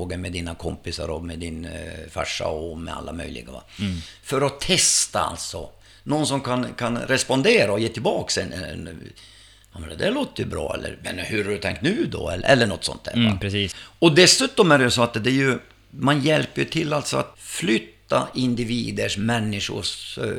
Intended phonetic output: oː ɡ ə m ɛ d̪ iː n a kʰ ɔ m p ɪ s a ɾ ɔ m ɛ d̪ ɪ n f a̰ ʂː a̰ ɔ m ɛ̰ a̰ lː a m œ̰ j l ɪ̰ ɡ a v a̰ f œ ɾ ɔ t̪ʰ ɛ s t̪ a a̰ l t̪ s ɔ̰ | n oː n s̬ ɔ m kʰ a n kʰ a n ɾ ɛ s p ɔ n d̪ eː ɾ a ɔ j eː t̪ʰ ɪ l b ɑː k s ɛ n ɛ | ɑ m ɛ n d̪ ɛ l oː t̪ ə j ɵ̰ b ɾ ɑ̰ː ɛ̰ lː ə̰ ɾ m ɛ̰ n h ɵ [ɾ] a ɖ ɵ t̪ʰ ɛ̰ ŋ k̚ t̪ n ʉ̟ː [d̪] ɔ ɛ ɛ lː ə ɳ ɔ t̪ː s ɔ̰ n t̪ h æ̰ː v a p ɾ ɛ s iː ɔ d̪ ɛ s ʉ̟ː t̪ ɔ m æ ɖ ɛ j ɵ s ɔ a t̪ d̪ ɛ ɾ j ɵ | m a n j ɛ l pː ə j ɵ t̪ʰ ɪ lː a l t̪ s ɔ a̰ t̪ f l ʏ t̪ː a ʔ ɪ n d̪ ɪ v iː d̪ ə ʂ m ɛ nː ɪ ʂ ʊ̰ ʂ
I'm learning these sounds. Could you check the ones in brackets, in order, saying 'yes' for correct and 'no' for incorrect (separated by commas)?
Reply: yes, yes